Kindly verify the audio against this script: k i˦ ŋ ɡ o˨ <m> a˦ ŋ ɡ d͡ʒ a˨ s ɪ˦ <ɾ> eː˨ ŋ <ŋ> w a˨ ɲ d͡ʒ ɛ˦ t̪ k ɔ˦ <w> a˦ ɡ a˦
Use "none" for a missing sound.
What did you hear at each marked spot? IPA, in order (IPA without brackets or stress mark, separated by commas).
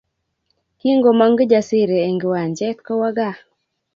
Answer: m, ɾ, ɡ, w